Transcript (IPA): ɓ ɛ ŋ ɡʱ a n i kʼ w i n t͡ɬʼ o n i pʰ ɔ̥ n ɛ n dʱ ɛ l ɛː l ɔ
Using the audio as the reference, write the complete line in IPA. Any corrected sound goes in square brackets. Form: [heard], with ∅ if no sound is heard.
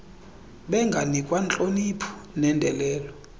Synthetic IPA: ɓ ɛ ŋ ɡʱ a n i kʼ w [a] n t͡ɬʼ o n i pʰ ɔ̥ n ɛ n dʱ ɛ l ɛː l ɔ